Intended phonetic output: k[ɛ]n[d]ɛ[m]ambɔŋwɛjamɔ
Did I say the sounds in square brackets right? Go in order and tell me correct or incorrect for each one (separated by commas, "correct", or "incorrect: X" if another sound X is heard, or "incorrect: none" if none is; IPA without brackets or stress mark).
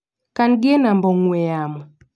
incorrect: a, incorrect: ɡ, incorrect: n